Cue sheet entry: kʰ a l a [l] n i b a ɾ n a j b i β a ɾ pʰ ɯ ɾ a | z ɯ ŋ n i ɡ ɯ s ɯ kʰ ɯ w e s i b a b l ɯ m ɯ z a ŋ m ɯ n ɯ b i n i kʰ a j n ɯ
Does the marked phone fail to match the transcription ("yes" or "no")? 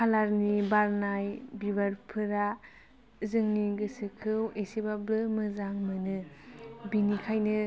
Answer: yes